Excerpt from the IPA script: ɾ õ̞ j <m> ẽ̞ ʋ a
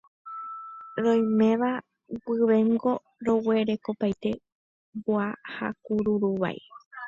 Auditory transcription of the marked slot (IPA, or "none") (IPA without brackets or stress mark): m